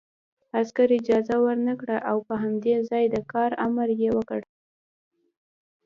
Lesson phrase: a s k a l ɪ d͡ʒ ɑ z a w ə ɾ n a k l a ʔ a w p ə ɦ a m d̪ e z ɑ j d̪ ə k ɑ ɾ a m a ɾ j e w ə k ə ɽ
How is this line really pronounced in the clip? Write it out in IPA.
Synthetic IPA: a s k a ɾ ɪ d͡ʒ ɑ z a w ə ɾ n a k ɽ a ʔ a w p ə ɦ a m d̪ e z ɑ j d̪ ə k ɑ ɾ a m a ɾ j e w ə k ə ɽ